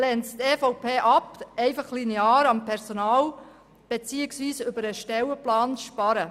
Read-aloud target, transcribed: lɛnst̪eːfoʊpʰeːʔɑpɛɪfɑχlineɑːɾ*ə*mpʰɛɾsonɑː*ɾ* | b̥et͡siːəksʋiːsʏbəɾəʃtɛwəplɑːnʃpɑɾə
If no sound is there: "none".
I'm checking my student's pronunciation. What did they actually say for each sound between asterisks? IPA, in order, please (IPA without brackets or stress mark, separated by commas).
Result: ɑ, l